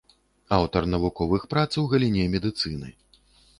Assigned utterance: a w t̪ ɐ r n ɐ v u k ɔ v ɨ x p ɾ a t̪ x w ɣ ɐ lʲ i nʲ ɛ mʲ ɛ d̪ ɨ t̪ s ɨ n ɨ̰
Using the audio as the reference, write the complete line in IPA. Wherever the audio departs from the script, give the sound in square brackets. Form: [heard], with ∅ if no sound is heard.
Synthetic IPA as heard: a w t̪ ɐ r n ɐ v u k ɔ v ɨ x p ɾ a t̪ [s] w ɣ ɐ lʲ i nʲ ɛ mʲ ɛ d̪ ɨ t̪ s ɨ n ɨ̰